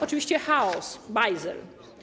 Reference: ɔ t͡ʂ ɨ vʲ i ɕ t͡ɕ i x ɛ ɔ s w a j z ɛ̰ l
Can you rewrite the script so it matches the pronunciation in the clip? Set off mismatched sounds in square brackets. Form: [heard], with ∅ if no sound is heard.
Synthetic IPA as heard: ɔ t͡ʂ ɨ vʲ i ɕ t͡ɕ [ɛ] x [a] ɔ s [b] a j z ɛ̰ l